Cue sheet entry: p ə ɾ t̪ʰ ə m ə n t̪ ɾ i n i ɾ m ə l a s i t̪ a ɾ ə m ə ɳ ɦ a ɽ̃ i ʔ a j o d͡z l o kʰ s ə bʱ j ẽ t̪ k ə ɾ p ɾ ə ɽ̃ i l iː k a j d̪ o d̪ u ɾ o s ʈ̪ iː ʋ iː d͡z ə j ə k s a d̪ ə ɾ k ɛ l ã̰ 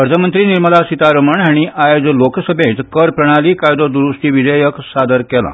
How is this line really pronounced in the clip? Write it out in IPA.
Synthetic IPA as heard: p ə ɾ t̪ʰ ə m ə n t̪ ɾ i n i ɾ m ə l a s i t̪ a ɾ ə m ə ɳ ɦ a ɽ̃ i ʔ a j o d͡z l o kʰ s ə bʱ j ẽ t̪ k ə ɾ p ɾ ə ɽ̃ a l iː k a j d̪ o d̪ u ɾ u s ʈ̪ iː ʋ i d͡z ə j ə k s a d̪ ə ɾ k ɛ l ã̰

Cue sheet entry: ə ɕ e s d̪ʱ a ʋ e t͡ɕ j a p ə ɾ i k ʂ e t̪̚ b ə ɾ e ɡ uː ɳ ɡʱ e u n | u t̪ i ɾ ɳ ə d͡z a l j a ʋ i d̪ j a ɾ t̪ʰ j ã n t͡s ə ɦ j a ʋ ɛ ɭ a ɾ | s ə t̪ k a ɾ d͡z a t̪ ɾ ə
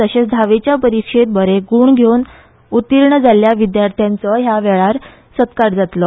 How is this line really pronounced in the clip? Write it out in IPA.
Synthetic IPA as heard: ə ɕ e s d̪ʱ a ʋ e t͡ɕ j a p ə ɾ i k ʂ e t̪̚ b ə ɾ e ɡ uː ɳ ɡʱ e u n | u t̪ i ɾ ɳ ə d͡z a l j a ʋ i d̪ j a ɾ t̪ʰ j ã n t͡s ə ɦ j a ʋ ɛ ɭ a ɾ | s ə t̪ k a ɾ d͡z a t̪ l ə

